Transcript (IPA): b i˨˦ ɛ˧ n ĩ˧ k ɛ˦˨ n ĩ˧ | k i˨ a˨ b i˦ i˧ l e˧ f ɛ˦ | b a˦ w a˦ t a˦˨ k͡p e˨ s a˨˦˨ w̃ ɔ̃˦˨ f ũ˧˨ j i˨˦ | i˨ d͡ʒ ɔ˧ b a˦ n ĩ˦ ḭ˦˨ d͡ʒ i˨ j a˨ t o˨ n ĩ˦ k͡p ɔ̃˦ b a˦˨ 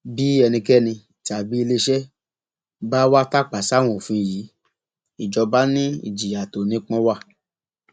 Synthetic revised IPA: b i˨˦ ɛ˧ n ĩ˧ k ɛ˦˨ n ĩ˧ | t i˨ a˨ b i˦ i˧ l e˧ ʃ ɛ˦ | b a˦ w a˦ t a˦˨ k͡p a˨ s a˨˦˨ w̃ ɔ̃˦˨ f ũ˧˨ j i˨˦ | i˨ d͡ʒ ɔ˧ b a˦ n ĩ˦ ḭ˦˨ d͡ʒ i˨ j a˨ t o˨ n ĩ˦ k͡p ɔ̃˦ w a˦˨